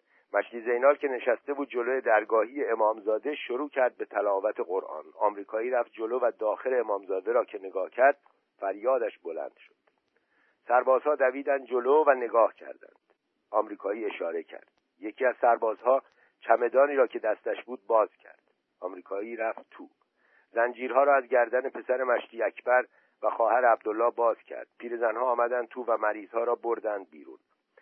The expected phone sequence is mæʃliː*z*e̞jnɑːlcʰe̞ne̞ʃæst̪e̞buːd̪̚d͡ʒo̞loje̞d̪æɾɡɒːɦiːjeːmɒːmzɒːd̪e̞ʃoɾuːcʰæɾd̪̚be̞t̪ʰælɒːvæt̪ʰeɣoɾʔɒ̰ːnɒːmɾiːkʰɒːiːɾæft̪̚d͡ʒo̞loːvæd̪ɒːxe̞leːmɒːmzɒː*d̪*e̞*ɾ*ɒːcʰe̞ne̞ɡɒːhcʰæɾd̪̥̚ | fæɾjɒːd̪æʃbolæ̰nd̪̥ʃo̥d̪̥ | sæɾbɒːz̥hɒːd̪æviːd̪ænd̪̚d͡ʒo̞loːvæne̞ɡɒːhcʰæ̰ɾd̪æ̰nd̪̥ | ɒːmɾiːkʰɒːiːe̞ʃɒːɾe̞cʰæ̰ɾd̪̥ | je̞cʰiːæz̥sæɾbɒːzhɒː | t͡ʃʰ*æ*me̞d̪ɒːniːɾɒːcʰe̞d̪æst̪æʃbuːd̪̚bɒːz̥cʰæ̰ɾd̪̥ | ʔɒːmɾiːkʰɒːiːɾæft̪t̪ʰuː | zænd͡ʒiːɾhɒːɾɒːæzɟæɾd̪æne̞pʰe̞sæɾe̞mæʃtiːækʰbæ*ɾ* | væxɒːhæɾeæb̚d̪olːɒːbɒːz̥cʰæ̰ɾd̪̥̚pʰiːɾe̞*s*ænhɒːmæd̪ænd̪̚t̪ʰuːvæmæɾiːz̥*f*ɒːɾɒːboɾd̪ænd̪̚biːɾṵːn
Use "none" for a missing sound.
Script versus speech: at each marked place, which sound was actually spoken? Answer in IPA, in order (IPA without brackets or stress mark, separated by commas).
z, d̪, ɾ, æ, ɾ, z, h